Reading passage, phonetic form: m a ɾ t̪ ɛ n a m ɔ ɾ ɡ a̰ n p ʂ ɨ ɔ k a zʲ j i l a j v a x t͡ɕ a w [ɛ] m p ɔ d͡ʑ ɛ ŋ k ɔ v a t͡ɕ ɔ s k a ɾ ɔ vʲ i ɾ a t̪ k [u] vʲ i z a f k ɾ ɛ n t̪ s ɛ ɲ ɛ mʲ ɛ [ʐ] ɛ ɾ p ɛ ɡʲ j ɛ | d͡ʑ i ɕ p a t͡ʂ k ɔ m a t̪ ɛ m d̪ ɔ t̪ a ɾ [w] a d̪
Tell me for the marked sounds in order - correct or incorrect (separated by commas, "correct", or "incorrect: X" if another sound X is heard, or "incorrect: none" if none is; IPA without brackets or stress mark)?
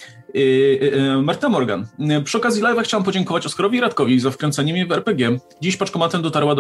incorrect: a, incorrect: ɔ, incorrect: v, correct